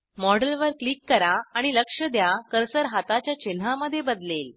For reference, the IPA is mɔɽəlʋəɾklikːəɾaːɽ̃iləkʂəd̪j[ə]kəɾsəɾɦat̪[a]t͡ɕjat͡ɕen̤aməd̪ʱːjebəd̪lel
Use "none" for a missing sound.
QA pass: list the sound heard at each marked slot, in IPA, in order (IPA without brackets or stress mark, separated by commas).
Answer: a, a